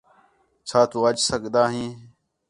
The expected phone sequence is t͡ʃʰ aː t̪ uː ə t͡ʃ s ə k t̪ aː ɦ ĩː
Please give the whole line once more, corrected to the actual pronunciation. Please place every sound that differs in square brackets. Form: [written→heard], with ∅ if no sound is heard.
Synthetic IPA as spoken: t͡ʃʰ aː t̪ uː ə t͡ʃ s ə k [t̪→d̪] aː ɦ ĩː